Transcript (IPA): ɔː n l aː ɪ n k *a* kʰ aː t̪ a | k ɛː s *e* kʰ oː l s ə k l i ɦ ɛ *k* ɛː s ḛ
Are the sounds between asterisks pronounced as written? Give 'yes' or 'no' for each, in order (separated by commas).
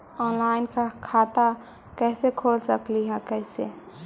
yes, yes, yes